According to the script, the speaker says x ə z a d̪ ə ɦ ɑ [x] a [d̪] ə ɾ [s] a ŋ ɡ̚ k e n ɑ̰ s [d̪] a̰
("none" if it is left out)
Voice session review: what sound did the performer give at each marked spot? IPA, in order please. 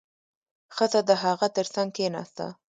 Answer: ɣ, t̪, s, t̪

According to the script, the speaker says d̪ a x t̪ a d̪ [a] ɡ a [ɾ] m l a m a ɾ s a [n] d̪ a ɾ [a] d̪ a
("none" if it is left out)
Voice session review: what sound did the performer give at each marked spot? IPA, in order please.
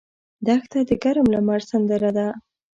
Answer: ə, ɾ, n, a

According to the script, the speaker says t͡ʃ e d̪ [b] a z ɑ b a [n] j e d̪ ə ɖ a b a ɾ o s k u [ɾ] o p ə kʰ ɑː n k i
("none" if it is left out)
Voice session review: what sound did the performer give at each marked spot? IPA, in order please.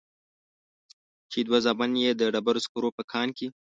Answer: w, n, ɾ

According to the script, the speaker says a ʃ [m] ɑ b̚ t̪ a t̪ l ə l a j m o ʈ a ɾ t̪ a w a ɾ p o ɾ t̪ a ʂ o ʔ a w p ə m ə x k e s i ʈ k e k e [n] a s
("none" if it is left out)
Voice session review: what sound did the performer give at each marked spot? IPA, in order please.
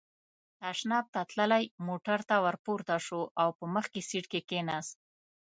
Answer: n, n

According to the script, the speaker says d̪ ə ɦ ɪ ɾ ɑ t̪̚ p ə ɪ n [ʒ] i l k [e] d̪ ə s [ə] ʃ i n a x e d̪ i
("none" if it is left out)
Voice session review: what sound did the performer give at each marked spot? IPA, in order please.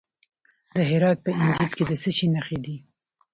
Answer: d͡ʒ, e, ə

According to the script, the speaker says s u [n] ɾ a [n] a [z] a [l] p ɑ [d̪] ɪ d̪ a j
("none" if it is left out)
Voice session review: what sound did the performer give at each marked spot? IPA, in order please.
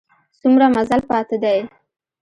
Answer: m, m, z, l, t̪

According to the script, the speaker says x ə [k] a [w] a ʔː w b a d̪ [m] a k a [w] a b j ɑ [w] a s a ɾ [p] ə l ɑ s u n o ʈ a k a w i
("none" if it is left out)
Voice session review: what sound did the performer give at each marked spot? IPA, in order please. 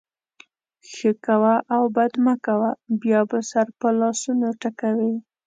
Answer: k, w, m, w, b, p

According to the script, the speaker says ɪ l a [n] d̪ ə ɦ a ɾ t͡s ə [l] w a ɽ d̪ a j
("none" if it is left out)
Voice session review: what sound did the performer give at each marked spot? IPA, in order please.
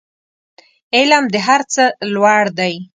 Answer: m, l

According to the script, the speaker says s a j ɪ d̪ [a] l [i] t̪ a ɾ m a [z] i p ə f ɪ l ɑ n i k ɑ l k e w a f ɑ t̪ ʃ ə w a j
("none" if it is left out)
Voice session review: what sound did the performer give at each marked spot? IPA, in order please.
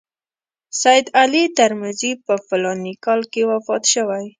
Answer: a, i, z

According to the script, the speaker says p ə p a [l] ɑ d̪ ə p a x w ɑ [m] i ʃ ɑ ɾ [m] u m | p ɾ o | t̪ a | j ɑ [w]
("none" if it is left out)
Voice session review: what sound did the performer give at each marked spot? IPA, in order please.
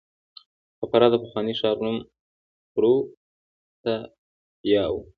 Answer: ɾ, n, n, w

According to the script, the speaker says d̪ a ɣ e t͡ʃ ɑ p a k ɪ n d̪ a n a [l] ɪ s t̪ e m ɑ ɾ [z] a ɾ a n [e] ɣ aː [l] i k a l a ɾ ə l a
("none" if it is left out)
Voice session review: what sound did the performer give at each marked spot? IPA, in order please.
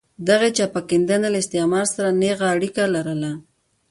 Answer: l, s, e, ɽ

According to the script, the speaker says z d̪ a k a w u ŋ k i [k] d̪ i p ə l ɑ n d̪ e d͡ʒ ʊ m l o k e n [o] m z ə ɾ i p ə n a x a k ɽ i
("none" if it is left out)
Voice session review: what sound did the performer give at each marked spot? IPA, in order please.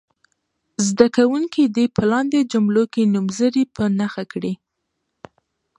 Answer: none, u

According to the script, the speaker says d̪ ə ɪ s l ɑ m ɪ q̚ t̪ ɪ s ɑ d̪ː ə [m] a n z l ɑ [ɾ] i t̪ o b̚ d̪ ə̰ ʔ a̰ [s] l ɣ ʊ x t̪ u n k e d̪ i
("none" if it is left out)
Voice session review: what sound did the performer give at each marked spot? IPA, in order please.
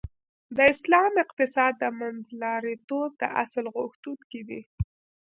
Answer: m, ɾ, s

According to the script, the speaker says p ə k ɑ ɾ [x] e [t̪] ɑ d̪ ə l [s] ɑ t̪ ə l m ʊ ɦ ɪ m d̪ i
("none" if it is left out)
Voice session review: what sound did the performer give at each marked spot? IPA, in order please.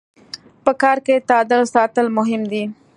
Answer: k, t̪, s

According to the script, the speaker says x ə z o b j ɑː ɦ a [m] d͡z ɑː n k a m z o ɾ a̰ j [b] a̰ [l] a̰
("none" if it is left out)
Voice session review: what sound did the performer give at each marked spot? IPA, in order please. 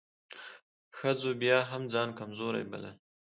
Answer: m, b, l

